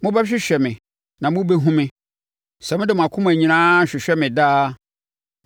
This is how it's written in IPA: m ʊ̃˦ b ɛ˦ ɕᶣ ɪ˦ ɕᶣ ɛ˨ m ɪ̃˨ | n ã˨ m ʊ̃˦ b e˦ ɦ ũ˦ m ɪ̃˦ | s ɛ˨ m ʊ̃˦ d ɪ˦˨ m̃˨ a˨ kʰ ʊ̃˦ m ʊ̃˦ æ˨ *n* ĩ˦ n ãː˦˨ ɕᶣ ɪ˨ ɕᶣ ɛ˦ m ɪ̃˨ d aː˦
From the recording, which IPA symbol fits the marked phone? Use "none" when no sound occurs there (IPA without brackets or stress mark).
ɲ